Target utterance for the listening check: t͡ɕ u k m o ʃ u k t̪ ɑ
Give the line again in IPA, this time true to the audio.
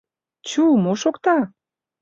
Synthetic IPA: t͡ɕ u m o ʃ o k t̪ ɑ